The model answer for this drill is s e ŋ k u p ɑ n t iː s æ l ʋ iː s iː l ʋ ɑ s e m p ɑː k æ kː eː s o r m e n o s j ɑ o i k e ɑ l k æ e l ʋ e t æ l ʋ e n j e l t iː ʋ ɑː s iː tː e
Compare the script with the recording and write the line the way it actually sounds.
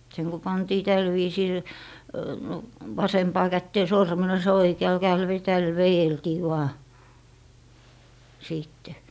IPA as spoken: s e ŋ k u p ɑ n t iː t æ l ʋ iː s iː l ʋ ɑ s e m p ɑː k æ tː eː s o r m e n o s j ɑ o i k e ɑ l k æ e l ʋ e t æ l ʋ e j e l t iː ʋ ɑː s iː tː e